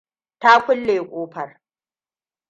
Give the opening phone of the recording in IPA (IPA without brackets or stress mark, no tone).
t